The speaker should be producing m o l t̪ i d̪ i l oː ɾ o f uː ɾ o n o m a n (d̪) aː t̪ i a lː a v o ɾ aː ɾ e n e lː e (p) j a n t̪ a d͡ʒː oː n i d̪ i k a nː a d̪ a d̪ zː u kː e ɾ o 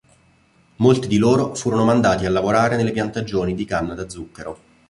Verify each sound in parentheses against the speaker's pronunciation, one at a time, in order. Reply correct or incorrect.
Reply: correct, correct

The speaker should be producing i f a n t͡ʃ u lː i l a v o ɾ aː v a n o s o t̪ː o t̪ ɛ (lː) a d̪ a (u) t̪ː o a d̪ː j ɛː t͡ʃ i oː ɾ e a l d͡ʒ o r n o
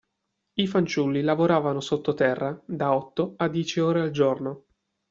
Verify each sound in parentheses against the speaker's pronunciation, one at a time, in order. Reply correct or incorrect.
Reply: incorrect: rː, incorrect: ɔ

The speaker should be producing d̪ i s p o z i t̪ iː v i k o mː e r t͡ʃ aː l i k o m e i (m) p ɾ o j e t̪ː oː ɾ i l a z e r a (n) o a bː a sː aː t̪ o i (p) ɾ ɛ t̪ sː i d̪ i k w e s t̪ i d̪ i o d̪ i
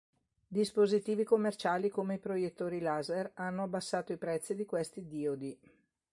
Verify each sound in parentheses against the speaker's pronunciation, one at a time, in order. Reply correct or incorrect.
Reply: incorrect: none, incorrect: nː, correct

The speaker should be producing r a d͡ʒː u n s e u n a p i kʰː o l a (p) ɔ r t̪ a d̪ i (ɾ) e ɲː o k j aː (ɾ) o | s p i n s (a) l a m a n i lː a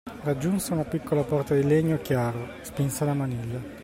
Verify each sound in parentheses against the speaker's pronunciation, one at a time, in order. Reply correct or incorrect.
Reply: correct, incorrect: l, correct, correct

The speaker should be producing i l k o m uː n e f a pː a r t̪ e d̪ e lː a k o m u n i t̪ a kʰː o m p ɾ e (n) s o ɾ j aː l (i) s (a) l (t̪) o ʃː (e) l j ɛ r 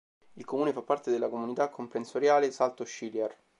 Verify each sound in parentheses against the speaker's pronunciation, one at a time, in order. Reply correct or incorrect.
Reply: correct, incorrect: e, correct, correct, incorrect: i

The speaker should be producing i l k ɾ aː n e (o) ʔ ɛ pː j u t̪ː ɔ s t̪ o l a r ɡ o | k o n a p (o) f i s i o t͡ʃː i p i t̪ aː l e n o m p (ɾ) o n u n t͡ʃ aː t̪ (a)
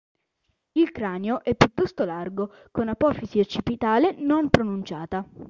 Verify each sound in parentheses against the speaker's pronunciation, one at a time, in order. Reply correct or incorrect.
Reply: correct, incorrect: ɔ, correct, correct

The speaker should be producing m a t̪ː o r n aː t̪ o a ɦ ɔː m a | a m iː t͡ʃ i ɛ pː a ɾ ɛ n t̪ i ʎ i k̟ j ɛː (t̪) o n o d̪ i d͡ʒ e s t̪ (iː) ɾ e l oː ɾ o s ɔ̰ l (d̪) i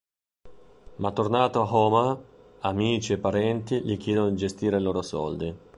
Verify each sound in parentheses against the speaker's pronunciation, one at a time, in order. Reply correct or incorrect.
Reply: incorrect: d̪, correct, correct

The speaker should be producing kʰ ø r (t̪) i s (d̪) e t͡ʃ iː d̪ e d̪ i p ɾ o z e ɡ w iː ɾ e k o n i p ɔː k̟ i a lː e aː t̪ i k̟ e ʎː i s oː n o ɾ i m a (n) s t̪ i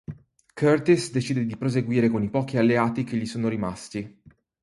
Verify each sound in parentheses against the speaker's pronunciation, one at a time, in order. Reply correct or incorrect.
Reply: correct, correct, incorrect: none

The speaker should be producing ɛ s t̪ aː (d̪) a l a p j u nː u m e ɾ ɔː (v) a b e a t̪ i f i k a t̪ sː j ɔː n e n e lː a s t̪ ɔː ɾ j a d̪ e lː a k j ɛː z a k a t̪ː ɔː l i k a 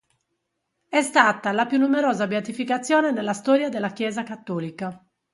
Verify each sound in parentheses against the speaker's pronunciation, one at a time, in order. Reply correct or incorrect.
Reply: incorrect: t̪, incorrect: z

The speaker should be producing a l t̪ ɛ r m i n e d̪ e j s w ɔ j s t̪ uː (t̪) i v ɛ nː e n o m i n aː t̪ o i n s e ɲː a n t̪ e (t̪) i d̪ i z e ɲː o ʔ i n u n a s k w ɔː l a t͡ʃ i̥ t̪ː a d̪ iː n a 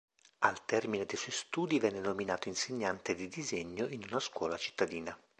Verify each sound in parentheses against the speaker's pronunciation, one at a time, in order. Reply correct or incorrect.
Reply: incorrect: d̪, incorrect: d̪

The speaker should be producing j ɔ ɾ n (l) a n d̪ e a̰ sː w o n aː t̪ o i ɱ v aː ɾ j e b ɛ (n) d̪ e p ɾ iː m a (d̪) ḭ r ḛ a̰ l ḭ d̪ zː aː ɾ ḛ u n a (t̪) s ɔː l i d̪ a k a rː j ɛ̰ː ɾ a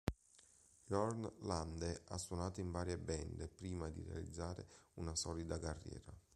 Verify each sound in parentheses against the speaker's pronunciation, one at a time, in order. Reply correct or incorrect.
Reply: correct, correct, correct, incorrect: none

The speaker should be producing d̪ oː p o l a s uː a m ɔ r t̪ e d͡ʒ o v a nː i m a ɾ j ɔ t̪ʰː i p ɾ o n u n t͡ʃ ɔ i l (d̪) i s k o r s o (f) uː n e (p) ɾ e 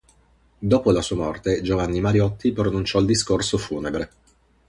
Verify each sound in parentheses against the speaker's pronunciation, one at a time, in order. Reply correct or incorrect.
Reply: correct, correct, incorrect: b

